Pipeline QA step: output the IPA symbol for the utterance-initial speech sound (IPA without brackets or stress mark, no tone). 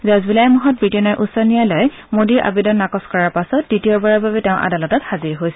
z